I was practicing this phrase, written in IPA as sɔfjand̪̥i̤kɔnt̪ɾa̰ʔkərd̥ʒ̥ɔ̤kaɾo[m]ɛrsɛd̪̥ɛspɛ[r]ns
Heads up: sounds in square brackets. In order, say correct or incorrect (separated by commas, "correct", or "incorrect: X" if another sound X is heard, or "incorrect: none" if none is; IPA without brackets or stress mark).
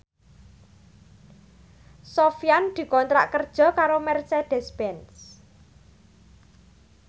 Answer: correct, incorrect: none